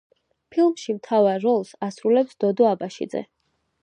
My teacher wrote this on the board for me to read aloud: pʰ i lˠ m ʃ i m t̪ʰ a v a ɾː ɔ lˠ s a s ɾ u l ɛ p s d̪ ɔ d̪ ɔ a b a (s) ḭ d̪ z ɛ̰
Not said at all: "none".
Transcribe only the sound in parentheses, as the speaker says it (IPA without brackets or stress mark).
ʃ